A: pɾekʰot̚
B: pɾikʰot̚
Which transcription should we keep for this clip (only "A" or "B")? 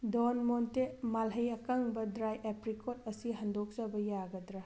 B